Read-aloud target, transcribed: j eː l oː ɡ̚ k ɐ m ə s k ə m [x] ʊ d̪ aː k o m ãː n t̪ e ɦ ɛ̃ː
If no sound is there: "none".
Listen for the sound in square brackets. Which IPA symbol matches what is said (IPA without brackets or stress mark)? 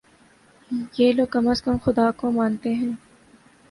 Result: x